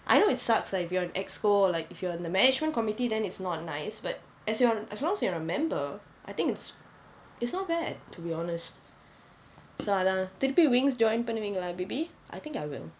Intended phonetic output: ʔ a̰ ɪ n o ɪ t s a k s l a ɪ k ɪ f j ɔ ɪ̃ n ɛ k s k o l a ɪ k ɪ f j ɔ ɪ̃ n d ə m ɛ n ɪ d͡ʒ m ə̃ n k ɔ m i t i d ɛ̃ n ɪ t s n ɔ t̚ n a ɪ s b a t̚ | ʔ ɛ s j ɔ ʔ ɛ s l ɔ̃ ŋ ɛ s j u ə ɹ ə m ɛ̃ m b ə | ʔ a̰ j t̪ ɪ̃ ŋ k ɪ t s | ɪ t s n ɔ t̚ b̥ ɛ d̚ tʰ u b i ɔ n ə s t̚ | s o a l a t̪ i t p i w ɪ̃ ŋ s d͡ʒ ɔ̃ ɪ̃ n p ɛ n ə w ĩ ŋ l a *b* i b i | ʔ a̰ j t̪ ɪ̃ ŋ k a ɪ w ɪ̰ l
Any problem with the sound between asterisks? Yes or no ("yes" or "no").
no